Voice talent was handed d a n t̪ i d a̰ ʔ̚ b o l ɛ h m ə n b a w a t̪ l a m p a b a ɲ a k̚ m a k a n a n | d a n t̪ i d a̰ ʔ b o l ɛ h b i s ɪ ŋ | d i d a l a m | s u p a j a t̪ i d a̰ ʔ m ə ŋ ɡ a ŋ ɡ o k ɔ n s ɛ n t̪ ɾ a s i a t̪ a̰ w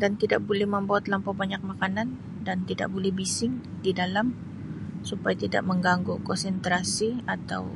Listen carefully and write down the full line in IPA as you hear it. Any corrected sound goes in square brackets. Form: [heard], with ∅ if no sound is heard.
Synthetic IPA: d a n t̪ i d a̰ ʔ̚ b o l ɛ h m ə [m] b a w a t̪ l a m p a b a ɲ a k̚ m a k a n a n | d a n t̪ i d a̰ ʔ b o l ɛ h b i s ɪ ŋ | d i d a l a m | s u p a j a t̪ i d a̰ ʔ m ə ŋ ɡ a ŋ ɡ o k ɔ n s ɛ n t̪ ɾ a s i a t̪ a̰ w